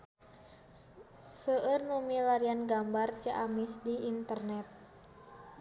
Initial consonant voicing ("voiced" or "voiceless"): voiceless